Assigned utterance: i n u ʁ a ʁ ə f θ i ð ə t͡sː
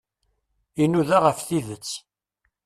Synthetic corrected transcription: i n u ð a ʁ ə f θ i ð ə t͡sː